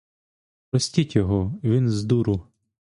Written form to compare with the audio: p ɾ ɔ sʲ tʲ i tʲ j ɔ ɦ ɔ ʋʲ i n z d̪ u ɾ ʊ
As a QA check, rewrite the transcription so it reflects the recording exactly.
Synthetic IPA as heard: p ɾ ɔ sʲ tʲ i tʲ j ɔ ɦ ɔ ʋʲ i n z d̪ u ɾ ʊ